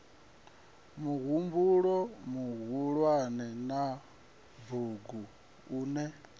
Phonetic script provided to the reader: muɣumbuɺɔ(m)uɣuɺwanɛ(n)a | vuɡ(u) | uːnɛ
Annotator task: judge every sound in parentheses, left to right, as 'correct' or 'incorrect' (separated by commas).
correct, correct, correct